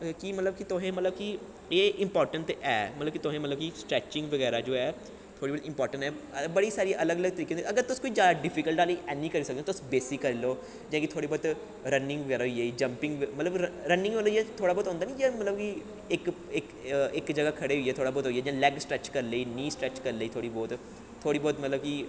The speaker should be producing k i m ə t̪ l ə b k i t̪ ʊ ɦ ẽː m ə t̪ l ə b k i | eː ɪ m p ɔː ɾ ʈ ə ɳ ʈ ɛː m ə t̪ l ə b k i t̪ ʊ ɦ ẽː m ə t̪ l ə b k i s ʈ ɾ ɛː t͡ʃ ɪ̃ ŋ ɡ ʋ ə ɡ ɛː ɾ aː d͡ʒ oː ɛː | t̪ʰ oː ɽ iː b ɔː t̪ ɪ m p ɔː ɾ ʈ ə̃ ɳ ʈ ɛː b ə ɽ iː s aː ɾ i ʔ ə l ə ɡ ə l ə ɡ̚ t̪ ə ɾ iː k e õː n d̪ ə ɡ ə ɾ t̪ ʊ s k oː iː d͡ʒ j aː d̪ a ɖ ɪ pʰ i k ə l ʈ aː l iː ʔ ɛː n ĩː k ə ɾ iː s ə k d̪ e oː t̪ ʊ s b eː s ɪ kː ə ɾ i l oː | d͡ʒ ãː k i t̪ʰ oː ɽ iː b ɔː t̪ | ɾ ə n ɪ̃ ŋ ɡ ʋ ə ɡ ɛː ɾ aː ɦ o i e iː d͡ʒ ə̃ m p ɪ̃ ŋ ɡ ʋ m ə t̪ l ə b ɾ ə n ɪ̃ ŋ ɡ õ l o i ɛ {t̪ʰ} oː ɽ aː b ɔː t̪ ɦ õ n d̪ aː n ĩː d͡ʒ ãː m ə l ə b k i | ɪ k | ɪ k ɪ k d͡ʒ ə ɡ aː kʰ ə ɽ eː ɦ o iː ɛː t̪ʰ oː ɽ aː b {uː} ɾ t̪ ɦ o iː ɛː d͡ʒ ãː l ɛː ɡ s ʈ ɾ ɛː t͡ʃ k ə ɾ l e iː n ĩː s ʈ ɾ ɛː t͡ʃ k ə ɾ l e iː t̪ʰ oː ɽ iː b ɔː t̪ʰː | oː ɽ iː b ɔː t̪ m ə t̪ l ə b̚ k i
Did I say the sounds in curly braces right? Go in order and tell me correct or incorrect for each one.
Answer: correct, incorrect: ɔː

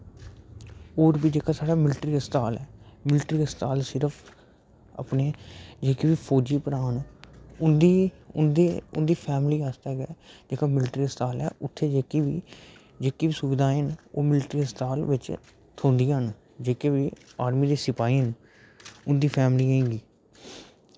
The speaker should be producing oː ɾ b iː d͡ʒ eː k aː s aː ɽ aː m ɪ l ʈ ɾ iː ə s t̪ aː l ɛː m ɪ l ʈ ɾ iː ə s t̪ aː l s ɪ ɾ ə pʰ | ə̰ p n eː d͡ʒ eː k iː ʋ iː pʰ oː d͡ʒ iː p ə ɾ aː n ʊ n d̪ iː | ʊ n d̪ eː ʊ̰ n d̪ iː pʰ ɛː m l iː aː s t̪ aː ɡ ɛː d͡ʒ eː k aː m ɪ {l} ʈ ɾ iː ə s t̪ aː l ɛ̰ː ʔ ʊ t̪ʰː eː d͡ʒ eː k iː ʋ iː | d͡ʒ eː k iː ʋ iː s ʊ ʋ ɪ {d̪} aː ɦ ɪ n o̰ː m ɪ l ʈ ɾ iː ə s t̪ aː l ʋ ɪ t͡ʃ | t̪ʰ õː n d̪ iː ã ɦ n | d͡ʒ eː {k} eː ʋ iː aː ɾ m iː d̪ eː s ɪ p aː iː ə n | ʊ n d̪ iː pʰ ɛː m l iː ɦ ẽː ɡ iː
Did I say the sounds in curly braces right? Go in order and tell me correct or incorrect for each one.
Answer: correct, correct, correct

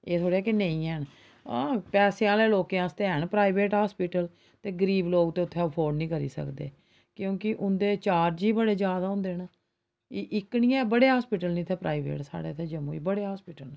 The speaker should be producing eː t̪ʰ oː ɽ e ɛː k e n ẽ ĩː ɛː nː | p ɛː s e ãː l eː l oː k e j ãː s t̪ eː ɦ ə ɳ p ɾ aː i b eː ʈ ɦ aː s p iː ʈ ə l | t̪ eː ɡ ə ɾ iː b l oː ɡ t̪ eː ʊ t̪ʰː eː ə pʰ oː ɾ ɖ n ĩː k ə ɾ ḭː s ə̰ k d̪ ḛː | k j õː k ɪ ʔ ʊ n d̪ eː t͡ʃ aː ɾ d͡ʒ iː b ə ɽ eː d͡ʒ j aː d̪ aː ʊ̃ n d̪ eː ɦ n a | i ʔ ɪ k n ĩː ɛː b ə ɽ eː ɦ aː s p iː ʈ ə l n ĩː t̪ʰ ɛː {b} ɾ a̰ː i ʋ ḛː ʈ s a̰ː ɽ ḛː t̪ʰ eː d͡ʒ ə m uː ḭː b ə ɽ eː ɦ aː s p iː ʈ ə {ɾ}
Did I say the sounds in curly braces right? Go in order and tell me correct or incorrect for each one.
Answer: incorrect: p, incorrect: l

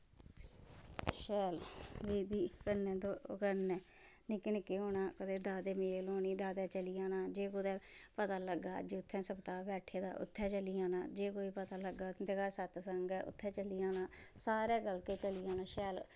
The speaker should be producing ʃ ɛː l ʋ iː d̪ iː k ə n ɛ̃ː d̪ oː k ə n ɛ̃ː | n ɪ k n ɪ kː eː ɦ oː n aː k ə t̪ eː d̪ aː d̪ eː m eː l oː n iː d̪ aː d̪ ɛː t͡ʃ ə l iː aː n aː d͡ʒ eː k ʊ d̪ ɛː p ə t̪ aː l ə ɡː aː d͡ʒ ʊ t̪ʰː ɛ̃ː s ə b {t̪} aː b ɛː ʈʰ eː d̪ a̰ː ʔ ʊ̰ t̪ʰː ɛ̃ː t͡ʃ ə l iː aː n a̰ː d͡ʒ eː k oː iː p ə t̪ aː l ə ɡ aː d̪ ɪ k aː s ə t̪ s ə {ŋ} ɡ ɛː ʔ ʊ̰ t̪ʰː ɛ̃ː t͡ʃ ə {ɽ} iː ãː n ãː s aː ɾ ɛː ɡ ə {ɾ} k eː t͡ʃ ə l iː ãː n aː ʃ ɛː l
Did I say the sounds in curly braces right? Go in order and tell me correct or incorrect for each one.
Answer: correct, correct, incorrect: l, incorrect: l

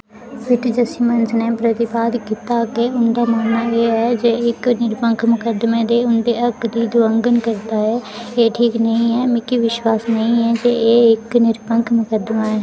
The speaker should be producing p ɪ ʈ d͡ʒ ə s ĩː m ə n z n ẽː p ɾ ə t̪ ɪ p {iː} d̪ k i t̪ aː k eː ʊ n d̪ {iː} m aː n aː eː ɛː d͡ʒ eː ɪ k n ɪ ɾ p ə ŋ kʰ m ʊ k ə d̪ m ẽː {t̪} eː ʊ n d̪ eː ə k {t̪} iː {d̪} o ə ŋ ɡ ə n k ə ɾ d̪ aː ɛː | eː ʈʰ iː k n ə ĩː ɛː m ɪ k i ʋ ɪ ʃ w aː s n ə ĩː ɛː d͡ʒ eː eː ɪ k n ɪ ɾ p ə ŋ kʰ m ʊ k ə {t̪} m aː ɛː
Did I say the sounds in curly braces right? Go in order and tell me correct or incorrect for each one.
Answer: incorrect: aː, incorrect: aː, incorrect: d̪, incorrect: d̪, correct, incorrect: d̪

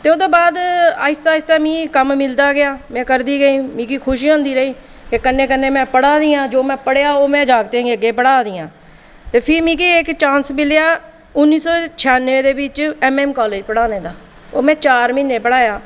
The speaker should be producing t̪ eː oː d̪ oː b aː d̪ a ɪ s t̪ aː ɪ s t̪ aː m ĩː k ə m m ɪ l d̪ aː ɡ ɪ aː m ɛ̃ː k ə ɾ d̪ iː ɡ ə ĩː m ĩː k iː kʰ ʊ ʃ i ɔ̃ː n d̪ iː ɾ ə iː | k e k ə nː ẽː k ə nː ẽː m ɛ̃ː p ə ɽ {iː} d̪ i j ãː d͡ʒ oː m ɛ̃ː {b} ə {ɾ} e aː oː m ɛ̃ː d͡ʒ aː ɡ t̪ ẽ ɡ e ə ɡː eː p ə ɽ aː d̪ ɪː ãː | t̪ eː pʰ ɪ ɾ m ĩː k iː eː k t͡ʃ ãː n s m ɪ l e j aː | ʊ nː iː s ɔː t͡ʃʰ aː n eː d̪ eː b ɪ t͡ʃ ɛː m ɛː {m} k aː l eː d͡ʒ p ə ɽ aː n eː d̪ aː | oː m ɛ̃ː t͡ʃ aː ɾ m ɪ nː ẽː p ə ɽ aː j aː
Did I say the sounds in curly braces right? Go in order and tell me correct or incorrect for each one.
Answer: incorrect: aː, incorrect: p, incorrect: ɽ, correct

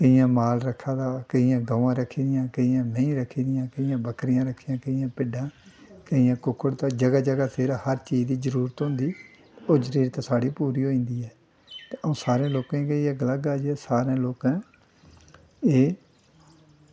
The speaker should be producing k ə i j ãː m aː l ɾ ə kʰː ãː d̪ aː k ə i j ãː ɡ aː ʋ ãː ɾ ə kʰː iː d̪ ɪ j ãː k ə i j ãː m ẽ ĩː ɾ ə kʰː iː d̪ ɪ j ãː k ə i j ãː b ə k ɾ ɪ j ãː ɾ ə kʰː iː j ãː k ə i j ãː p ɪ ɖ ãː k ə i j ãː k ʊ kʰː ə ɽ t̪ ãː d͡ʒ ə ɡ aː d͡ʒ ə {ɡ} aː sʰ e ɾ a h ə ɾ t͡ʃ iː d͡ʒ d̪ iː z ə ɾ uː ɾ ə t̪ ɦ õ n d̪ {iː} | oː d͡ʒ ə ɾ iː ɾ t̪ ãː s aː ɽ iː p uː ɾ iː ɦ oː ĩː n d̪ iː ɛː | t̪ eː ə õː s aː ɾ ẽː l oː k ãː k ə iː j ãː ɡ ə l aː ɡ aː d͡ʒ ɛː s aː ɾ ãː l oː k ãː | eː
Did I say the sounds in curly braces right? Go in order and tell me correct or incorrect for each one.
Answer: correct, correct

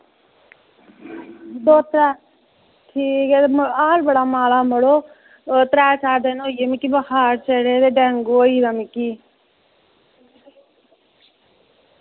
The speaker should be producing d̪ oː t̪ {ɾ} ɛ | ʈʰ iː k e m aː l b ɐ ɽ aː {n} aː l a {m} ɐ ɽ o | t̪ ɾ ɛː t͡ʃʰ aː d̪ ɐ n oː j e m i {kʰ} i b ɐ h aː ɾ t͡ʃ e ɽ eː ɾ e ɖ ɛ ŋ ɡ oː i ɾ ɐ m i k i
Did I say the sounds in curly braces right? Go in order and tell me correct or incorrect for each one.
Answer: correct, incorrect: m, correct, incorrect: k

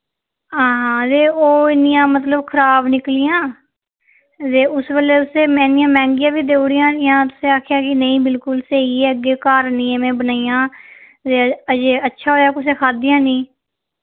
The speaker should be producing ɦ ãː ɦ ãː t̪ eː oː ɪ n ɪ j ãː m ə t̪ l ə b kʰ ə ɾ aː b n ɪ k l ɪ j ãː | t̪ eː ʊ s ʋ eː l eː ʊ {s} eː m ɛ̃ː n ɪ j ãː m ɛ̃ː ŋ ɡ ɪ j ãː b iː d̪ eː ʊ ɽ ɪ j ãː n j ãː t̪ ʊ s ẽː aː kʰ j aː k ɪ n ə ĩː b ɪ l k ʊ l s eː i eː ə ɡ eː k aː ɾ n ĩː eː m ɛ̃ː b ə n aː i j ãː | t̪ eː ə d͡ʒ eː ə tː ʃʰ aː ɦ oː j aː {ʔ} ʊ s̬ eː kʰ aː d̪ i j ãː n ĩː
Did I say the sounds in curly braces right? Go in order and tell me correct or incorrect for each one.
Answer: correct, incorrect: k

